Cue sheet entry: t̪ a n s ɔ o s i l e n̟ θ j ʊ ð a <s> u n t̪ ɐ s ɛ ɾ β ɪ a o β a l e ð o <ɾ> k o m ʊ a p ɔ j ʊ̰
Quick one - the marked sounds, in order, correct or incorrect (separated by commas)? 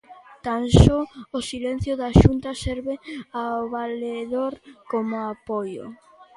incorrect, correct